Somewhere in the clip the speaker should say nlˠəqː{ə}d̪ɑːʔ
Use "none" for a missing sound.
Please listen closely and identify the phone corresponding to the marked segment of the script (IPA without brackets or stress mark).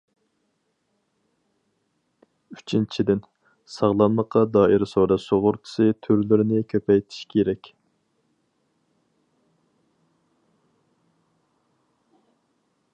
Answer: ɑ